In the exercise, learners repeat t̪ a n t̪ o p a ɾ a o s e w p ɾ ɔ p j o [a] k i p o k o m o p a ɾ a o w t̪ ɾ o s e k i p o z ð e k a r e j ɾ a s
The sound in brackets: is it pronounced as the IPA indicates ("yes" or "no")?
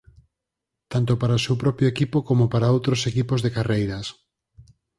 no